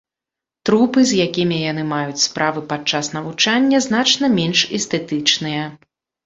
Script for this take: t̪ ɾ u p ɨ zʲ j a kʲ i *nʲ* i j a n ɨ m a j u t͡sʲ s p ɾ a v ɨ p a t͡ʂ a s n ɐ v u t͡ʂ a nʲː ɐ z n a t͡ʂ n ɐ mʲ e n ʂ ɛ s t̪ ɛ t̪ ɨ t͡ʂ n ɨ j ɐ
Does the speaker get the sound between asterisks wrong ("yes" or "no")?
yes